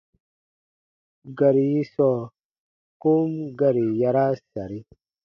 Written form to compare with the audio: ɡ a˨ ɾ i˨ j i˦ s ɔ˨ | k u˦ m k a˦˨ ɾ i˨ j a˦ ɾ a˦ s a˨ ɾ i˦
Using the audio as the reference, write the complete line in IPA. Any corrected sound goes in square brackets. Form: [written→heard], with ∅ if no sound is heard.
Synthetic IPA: ɡ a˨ ɾ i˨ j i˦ s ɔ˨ | k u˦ m [k→ɡ] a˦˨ ɾ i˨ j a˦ ɾ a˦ s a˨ ɾ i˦